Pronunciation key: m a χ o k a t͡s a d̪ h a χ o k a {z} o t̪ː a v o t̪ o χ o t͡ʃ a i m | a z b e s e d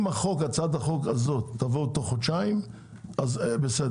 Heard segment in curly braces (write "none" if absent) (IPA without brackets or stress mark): z